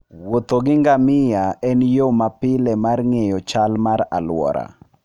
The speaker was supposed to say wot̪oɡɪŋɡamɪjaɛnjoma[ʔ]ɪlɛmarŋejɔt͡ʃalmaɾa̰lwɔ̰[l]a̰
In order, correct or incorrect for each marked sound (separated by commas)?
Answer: incorrect, incorrect